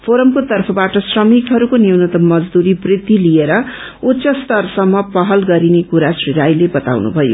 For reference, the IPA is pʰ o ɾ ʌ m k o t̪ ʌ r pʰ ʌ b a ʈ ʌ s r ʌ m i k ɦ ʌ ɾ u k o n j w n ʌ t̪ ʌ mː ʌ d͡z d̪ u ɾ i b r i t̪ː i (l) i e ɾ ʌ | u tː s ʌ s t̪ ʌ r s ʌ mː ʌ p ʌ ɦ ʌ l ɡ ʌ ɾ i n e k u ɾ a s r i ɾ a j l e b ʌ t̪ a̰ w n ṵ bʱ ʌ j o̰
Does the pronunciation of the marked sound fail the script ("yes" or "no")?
no